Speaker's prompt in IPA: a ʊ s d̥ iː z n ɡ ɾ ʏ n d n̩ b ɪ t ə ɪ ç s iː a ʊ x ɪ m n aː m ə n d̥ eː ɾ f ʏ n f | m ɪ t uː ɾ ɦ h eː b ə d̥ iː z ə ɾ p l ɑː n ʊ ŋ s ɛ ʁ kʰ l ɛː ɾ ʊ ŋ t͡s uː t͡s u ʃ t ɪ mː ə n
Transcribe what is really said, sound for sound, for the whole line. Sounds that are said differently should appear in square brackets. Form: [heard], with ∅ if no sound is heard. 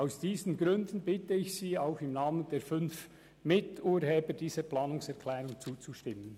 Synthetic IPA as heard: a ʊ s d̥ iː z n ɡ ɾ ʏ n d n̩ b ɪ t ə ɪ ç s iː a ʊ x ɪ m n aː m ə n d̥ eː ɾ f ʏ n f | m ɪ t uː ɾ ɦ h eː b ə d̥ iː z ə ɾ p l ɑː n ʊ ŋ s ɛ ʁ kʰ l ɛː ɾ ʊ ŋ t͡s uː t͡s u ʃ t ɪ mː ə n